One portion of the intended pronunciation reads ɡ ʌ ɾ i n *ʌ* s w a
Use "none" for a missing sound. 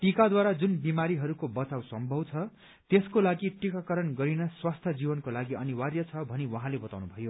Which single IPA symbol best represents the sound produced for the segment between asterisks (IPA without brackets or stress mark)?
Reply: ʌ